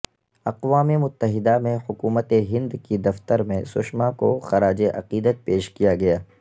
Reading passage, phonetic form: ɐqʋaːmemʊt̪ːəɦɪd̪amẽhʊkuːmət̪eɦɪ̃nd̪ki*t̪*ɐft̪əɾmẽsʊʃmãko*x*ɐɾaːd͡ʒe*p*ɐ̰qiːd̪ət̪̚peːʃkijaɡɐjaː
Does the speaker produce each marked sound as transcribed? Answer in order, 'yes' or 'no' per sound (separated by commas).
no, yes, no